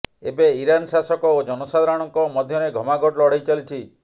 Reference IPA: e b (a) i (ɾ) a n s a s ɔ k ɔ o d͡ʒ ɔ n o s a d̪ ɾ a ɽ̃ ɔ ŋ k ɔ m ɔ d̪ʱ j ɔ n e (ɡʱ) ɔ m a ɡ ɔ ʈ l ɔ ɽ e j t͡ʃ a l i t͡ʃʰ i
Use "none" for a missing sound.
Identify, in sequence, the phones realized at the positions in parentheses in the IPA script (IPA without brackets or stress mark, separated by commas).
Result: e, ɾ, ɡʱ